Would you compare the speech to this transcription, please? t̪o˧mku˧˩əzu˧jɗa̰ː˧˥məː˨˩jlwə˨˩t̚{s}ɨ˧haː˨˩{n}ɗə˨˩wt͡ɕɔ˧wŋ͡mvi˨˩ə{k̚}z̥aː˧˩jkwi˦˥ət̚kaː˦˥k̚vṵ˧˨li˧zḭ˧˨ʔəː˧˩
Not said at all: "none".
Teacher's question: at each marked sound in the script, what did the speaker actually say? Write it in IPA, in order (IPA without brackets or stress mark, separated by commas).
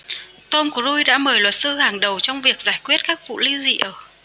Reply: s, ŋ, k̚